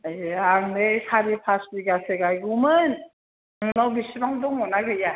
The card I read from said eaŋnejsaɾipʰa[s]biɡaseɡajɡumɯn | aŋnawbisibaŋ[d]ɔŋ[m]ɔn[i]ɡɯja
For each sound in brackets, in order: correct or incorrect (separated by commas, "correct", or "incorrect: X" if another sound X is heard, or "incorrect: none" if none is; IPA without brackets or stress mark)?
correct, correct, correct, incorrect: a